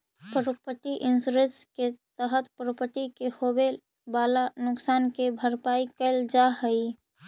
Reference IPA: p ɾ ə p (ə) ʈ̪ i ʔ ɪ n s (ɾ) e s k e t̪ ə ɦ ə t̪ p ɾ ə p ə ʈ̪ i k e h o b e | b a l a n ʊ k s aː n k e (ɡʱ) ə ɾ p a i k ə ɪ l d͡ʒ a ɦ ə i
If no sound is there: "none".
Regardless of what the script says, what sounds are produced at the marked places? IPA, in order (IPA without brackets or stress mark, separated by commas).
ə, ɾ, bʱ